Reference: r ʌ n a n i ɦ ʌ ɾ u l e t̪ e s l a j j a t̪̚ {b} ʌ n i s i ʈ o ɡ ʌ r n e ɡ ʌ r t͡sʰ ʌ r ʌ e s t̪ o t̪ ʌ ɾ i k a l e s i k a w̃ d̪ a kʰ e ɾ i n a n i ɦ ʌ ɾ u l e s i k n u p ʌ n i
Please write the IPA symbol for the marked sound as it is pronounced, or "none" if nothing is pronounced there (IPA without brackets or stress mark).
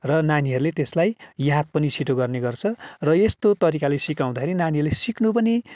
p